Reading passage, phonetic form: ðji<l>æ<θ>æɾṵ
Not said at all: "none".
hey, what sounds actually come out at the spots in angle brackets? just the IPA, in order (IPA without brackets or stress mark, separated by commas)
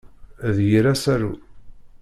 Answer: ɾ, s